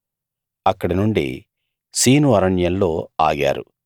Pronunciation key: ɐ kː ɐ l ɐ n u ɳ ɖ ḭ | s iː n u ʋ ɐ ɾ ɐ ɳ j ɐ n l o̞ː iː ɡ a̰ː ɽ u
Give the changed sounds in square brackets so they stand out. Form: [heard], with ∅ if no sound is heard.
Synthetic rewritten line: ɐ kː ɐ [ɽ] ɐ n u ɳ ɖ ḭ | s iː n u ʋ ɐ ɾ ɐ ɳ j ɐ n l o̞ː [aː] ɡ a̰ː [ɾ] u